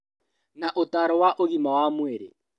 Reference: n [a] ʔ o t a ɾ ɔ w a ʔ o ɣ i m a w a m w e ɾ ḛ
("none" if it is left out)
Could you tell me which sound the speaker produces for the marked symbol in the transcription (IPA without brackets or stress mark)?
a